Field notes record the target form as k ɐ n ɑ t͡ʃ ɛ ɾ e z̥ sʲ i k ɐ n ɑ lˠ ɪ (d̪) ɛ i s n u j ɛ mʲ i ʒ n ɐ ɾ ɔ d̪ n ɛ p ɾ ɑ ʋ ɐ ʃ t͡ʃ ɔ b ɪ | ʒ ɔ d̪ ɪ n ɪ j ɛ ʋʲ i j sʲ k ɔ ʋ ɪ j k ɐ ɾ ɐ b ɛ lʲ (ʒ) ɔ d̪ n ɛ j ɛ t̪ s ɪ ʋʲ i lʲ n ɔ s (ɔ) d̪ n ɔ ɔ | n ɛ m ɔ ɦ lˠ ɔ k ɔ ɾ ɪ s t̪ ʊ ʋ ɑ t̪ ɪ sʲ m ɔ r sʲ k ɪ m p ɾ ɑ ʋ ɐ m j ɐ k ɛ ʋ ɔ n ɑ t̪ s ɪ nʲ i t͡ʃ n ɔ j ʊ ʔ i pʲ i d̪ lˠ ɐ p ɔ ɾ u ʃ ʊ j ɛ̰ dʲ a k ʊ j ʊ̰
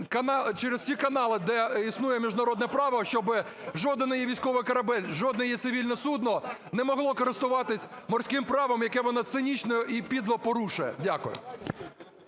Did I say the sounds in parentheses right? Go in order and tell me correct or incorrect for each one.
correct, correct, incorrect: u

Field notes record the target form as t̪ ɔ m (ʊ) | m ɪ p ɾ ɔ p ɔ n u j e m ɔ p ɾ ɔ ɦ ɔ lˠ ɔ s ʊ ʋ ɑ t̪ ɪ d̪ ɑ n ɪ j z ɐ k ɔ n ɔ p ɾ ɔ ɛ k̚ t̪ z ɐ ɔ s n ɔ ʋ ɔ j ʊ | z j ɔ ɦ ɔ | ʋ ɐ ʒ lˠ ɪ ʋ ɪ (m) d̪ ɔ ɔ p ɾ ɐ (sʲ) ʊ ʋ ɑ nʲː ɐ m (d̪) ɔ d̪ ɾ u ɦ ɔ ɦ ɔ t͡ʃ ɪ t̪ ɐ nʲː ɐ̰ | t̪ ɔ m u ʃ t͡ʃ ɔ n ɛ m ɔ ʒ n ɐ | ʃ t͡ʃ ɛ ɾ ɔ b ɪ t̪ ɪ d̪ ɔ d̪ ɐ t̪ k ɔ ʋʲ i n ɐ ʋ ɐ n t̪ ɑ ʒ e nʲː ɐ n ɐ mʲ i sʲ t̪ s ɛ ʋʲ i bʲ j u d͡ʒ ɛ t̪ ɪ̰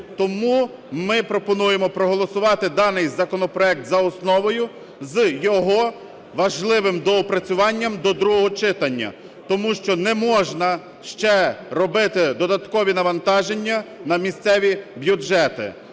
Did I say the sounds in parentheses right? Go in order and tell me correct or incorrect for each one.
incorrect: u, correct, incorrect: t͡sʲ, correct

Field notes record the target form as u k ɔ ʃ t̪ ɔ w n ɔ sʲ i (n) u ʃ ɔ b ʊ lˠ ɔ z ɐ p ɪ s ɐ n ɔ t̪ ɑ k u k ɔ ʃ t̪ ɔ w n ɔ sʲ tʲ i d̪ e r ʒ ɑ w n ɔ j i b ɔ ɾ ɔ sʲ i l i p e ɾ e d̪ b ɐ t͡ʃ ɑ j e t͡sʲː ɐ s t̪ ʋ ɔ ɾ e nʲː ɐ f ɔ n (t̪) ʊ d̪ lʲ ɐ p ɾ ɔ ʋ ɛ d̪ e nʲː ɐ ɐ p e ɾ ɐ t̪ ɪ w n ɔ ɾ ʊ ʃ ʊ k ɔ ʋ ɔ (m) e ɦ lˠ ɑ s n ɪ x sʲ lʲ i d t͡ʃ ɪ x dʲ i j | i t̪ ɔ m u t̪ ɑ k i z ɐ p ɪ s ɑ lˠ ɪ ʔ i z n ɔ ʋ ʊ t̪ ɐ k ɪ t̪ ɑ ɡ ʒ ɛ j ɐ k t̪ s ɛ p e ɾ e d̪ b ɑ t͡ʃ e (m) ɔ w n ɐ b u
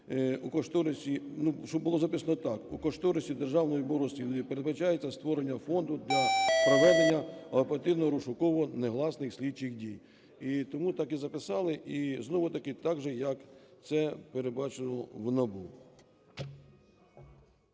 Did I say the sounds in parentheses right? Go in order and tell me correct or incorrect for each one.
correct, incorrect: d̪, incorrect: n, incorrect: n

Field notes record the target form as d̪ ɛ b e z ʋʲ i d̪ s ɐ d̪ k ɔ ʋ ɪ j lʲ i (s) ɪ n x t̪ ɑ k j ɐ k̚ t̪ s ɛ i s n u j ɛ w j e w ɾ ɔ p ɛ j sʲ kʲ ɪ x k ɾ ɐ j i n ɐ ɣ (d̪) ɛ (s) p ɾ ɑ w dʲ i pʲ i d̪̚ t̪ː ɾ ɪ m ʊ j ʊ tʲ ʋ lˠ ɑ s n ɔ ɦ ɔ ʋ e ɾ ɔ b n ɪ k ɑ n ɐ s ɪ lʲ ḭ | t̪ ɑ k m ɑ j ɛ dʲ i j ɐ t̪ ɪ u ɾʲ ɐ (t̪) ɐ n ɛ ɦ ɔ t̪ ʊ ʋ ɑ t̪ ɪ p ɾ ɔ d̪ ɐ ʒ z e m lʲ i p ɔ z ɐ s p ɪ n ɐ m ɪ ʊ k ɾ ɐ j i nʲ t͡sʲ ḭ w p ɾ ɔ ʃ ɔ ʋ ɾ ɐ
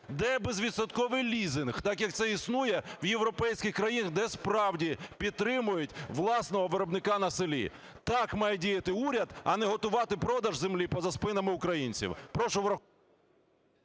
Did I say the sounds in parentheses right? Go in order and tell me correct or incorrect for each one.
incorrect: z, correct, correct, incorrect: d̪

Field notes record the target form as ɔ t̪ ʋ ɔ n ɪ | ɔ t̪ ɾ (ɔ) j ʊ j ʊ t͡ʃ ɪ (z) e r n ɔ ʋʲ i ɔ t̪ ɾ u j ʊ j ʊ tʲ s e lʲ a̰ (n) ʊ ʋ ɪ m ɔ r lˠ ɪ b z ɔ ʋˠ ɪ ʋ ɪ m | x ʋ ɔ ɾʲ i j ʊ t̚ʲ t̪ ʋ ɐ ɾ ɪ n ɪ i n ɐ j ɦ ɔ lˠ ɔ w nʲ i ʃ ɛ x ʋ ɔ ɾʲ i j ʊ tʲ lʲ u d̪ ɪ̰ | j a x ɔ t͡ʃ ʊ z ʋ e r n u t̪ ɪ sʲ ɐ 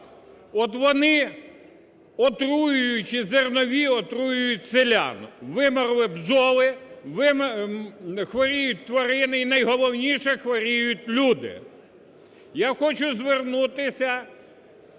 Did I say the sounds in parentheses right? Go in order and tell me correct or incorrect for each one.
incorrect: u, correct, correct

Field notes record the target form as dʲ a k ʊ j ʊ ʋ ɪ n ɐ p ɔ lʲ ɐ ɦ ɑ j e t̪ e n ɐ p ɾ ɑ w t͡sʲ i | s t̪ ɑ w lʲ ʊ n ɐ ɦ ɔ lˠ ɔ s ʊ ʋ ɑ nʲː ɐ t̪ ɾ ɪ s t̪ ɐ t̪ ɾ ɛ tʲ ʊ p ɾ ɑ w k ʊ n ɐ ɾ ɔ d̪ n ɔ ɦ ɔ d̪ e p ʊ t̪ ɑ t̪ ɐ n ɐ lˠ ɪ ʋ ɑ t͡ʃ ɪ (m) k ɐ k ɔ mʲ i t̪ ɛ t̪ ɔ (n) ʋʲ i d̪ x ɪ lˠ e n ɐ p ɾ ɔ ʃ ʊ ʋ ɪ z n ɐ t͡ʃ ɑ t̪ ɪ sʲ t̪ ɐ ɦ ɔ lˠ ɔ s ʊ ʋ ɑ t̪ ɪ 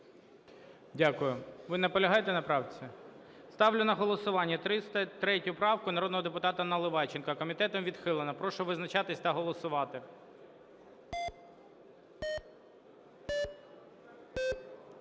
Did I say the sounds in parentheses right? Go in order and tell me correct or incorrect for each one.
incorrect: n, incorrect: m

